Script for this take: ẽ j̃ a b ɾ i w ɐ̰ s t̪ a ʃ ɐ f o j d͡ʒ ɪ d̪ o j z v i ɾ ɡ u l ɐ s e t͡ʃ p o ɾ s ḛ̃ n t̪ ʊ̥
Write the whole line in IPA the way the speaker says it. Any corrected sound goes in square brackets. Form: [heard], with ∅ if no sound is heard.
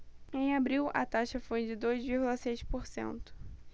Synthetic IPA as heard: ẽ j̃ a b ɾ i w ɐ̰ [∅] t̪ a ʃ ɐ f o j d͡ʒ ɪ d̪ o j z v i ɾ ɡ u l ɐ s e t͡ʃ p o ɾ s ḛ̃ n t̪ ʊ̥

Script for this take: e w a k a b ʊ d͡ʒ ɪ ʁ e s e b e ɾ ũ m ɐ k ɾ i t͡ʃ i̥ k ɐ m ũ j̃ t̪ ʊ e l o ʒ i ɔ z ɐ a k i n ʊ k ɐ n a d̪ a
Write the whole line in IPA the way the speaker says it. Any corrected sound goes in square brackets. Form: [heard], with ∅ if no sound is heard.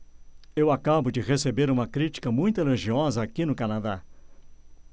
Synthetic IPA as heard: e w a k a b ʊ d͡ʒ ɪ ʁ e s e b e ɾ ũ m ɐ k ɾ i t͡ʃ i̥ k ɐ m ũ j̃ t̪ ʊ e l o ʒ i ɔ z ɐ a k i n ʊ k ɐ n a d̪ a

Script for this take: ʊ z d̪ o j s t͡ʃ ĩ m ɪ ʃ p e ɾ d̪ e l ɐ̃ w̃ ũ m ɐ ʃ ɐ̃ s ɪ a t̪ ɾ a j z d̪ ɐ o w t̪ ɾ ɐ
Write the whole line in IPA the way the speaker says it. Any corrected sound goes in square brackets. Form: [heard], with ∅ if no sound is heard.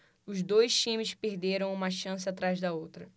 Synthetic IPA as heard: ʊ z d̪ o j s t͡ʃ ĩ m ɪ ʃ p e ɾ d̪ e [ɾ] ɐ̃ w̃ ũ m ɐ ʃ ɐ̃ s ɪ a t̪ ɾ a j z d̪ ɐ o w t̪ ɾ ɐ

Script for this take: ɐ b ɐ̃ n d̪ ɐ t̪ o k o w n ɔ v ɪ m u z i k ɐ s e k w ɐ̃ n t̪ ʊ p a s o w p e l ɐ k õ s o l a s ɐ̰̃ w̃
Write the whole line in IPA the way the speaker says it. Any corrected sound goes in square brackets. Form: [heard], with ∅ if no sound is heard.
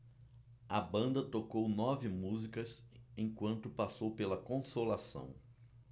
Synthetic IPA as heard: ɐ b ɐ̃ n d̪ ɐ t̪ o k o w n ɔ v ɪ m u z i k ɐ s [ẽ] k w ɐ̃ n t̪ ʊ p a s o w p e l ɐ k õ s o l a s ɐ̰̃ w̃

